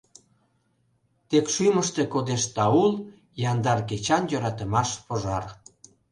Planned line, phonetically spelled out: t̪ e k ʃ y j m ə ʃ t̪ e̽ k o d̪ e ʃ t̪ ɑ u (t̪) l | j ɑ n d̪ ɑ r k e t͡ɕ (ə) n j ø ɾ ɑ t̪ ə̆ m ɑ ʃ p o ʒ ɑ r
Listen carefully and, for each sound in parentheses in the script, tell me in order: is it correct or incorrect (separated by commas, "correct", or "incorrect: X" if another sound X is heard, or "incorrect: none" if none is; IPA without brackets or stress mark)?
incorrect: none, incorrect: ɑ